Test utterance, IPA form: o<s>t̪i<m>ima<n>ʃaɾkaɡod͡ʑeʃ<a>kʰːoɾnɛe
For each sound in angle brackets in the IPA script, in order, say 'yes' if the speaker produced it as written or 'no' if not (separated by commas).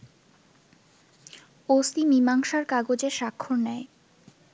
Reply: yes, yes, no, yes